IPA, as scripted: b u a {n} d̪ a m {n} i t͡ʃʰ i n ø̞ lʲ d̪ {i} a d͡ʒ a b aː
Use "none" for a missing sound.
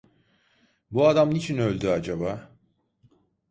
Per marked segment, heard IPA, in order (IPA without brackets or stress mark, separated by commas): none, n, y